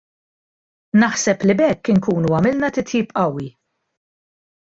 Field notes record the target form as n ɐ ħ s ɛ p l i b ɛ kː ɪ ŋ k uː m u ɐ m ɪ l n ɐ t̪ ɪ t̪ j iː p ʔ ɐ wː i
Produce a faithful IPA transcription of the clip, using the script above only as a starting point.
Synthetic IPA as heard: n ɐ ħ s ɛ p l i b ɛ kː ɪ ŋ k uː n u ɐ m ɪ l n ɐ t̪ ɪ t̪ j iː p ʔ ɐ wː i